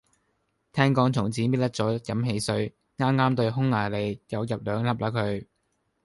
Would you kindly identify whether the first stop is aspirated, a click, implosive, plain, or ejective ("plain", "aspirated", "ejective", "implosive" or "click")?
aspirated